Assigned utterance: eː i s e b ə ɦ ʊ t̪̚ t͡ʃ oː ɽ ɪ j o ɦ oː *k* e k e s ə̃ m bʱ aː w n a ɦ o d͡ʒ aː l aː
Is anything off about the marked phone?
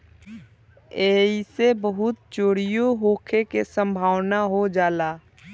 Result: yes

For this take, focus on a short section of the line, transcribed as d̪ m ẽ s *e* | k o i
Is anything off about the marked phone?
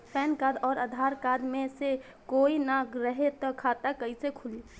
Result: no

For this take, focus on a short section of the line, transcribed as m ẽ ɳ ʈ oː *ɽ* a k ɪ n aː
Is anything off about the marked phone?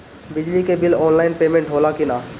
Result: yes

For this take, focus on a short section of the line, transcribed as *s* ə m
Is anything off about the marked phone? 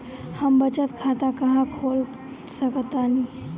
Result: yes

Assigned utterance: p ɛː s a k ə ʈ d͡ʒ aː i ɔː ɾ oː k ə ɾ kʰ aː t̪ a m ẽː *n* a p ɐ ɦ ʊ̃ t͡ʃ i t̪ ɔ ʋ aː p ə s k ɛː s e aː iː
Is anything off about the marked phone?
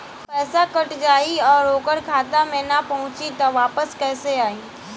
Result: no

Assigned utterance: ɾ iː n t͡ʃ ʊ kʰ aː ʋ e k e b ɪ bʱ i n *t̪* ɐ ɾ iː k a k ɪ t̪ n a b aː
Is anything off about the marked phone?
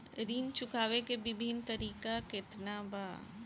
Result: no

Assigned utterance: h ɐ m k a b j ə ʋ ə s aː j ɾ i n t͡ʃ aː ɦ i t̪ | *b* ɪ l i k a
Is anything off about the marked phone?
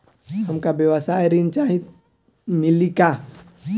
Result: yes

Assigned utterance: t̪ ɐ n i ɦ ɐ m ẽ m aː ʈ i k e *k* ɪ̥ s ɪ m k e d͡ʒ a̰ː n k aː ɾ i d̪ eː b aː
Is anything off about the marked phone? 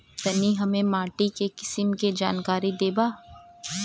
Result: no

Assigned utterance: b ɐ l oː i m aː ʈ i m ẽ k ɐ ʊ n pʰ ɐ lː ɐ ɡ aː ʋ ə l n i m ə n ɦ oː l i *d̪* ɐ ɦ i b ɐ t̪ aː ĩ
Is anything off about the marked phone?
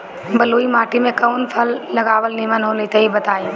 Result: yes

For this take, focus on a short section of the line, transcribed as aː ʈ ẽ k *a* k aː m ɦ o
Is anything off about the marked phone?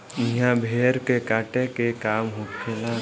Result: yes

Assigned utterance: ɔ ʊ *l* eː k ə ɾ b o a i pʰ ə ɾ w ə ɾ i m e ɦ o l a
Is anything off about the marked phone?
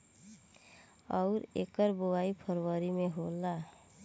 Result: yes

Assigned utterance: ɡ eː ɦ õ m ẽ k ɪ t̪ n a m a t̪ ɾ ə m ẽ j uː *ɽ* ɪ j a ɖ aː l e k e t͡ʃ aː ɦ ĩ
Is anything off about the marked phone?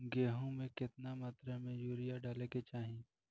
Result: yes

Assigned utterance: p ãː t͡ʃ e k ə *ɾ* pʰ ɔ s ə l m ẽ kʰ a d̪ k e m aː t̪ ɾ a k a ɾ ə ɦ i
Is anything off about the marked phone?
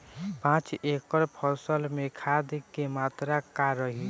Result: no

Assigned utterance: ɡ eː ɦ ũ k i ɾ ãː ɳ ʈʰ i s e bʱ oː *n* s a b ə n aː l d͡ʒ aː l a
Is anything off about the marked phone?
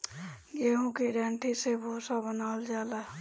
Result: yes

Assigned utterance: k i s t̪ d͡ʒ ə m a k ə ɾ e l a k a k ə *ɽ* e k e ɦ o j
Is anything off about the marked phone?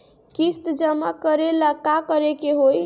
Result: yes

